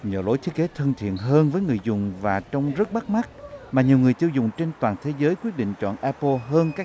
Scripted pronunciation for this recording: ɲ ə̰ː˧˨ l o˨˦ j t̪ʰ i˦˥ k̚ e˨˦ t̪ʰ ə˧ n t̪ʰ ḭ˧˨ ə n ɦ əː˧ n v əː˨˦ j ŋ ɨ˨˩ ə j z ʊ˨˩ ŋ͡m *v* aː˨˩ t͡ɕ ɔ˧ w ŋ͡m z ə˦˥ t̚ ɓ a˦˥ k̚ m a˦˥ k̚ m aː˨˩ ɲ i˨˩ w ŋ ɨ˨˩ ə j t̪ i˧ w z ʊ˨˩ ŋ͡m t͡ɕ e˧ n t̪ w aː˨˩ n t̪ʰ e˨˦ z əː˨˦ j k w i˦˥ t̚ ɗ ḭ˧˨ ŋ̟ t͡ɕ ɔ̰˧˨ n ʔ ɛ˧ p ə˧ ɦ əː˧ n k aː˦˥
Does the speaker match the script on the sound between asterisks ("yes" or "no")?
yes